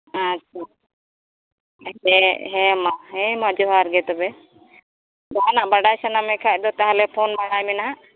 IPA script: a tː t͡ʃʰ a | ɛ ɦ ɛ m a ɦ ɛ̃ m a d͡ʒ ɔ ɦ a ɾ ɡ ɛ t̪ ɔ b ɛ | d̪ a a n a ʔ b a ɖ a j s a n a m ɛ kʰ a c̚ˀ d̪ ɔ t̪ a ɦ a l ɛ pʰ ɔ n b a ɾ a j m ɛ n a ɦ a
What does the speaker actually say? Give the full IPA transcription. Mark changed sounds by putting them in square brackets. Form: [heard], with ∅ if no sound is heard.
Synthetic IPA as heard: a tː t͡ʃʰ a | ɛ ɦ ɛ m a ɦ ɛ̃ m a d͡ʒ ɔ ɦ a ɾ ɡ ɛ t̪ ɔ b ɛ | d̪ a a n a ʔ b a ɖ a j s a n a m ɛ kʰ a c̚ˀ d̪ ɔ t̪ a ɦ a l ɛ pʰ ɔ n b a [ɽ] a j m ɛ n a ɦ a